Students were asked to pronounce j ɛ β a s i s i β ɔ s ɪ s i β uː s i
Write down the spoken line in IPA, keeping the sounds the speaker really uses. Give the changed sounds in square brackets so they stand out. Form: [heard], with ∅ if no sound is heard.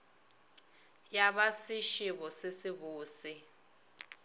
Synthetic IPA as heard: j [a] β a s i [ʃ] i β ɔ s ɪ s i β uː s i